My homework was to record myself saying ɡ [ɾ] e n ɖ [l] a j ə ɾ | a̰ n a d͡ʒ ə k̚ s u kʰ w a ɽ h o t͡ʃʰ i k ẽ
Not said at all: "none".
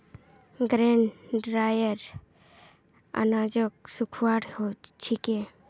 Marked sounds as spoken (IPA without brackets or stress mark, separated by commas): ɾ, ɾ